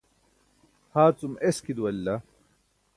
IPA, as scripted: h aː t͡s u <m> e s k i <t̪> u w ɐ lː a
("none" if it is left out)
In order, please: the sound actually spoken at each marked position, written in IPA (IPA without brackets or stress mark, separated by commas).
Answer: m, d̪